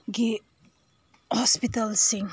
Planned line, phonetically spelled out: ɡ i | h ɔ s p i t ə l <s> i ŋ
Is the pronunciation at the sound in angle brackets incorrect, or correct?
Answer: correct